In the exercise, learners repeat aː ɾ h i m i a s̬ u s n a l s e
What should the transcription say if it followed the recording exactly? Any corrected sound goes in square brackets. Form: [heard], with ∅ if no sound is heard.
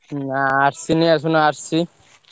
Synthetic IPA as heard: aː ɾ [s] i [n] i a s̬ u [∅] n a [ɾ] s [i]